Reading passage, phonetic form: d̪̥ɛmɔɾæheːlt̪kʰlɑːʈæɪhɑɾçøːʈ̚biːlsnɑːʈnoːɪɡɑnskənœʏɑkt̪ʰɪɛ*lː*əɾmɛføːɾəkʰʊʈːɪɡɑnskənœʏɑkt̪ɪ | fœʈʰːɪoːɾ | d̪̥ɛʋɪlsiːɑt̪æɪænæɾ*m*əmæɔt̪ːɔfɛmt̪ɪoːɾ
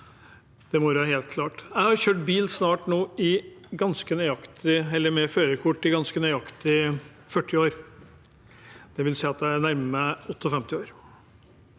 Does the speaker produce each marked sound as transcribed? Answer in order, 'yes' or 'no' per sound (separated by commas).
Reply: yes, yes